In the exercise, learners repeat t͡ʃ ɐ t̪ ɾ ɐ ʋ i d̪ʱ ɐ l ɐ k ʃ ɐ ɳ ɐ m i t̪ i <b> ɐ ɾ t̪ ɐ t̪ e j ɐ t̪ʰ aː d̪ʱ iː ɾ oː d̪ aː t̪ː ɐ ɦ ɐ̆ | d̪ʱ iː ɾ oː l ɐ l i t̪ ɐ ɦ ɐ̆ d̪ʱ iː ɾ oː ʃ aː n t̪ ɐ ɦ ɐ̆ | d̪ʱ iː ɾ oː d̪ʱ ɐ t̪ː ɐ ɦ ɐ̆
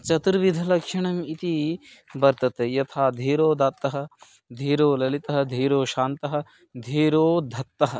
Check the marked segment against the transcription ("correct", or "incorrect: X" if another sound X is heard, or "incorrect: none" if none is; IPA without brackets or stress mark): correct